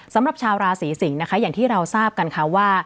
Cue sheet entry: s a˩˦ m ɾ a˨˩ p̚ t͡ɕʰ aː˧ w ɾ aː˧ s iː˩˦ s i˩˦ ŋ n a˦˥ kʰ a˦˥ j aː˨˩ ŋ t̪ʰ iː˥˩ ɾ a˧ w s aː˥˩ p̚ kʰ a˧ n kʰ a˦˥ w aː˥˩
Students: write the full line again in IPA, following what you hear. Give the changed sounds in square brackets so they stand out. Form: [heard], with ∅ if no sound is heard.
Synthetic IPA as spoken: s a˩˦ m ɾ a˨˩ p̚ t͡ɕʰ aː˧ w ɾ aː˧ s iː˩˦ s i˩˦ ŋ n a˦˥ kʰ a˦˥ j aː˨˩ ŋ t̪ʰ iː˥˩ ɾ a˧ w s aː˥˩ p̚ [k] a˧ n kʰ a˦˥ w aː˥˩